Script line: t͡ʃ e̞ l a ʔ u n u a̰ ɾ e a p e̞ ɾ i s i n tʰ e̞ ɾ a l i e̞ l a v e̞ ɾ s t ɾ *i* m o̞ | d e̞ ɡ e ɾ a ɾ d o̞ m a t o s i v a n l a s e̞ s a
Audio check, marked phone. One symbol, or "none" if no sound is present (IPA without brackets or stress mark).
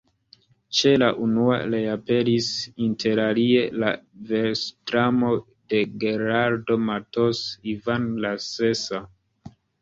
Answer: a